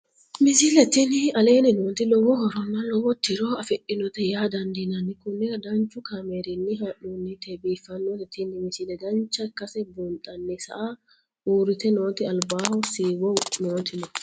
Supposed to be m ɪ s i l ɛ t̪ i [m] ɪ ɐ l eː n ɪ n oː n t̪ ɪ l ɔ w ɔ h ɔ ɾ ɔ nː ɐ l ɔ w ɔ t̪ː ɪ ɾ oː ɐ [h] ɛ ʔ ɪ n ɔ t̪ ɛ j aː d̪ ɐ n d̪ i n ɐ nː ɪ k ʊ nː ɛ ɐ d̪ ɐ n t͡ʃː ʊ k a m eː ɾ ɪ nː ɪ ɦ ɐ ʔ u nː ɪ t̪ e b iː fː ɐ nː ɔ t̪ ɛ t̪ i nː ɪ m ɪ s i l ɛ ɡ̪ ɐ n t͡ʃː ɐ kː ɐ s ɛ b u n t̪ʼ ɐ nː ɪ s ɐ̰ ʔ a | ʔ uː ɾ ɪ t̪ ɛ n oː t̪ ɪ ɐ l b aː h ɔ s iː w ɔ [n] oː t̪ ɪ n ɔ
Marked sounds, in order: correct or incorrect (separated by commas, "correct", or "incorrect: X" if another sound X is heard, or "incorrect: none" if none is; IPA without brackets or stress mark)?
incorrect: n, incorrect: f, correct